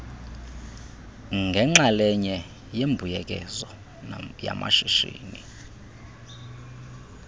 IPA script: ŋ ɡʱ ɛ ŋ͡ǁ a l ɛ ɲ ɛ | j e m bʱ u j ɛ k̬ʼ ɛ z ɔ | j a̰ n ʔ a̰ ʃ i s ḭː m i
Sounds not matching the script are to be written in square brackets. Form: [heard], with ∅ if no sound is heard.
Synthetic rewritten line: ŋ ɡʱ ɛ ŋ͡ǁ a l ɛ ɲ ɛ | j e m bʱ u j ɛ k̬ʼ ɛ z ɔ | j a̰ [m] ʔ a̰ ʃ i [ʃ] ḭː [n] i